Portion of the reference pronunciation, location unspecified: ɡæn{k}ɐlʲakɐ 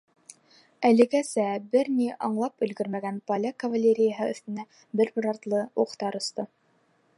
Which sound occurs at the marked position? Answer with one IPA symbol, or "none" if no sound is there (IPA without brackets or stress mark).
p